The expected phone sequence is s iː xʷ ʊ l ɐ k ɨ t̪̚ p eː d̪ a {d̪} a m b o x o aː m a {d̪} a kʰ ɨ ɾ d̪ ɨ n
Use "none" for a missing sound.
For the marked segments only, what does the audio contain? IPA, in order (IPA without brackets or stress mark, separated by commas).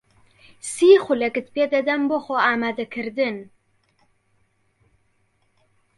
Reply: d̪, d̪